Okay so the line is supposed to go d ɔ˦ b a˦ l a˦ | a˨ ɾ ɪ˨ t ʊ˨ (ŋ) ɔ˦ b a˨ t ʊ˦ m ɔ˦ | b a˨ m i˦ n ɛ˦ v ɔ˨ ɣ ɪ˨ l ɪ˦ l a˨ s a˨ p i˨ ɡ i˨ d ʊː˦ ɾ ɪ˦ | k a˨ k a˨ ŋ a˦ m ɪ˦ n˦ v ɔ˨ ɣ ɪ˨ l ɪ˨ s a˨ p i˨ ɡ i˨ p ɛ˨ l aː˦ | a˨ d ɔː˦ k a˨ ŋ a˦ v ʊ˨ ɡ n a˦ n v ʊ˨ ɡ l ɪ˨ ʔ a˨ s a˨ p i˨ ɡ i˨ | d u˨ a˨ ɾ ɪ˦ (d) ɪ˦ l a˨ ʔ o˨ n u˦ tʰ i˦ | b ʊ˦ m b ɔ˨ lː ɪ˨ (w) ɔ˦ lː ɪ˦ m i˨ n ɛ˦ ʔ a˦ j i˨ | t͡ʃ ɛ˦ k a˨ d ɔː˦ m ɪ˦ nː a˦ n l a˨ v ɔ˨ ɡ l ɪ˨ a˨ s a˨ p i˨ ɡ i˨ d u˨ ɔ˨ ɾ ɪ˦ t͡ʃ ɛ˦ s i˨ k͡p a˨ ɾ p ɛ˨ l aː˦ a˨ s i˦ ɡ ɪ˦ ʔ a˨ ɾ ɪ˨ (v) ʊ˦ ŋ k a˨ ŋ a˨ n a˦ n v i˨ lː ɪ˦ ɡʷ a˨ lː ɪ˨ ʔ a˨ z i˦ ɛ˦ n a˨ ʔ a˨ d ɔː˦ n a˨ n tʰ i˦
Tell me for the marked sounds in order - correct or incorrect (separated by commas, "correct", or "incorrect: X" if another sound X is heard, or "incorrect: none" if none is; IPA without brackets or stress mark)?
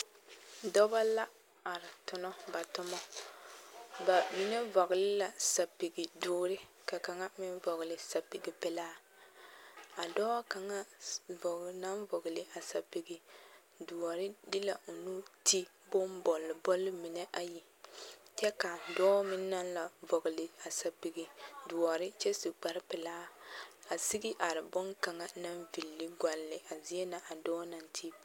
incorrect: n, correct, incorrect: b, incorrect: b